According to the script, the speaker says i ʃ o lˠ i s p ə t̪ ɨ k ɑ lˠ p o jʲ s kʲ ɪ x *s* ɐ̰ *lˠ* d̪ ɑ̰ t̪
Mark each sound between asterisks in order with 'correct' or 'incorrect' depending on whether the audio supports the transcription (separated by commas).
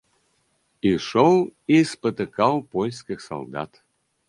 correct, correct